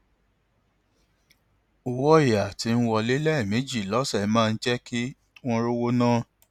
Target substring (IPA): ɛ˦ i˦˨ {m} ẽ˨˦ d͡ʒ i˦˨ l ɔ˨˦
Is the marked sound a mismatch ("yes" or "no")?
no